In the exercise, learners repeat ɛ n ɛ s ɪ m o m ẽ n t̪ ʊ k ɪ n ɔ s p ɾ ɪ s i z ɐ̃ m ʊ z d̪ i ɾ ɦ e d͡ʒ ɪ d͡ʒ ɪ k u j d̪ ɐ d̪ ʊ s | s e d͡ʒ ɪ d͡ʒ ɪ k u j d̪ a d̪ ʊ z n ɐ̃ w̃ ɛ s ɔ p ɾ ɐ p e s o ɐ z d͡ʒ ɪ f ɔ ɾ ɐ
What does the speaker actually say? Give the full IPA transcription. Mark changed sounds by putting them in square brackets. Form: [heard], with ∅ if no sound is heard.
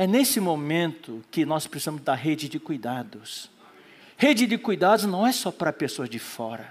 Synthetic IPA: ɛ n [e] s ɪ m o m ẽ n t̪ ʊ k ɪ n ɔ s p ɾ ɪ s i z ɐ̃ m ʊ z d̪ [a] ɾ ɦ e d͡ʒ ɪ d͡ʒ ɪ k u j d̪ [a] d̪ ʊ s | [h] e d͡ʒ ɪ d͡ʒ ɪ k u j d̪ a d̪ ʊ z n ɐ̃ w̃ ɛ s ɔ p ɾ ɐ p e s o ɐ z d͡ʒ ɪ f ɔ ɾ ɐ